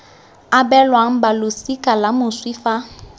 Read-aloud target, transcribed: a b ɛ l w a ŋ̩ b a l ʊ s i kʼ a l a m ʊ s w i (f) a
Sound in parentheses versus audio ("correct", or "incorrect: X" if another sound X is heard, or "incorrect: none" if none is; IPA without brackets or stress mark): correct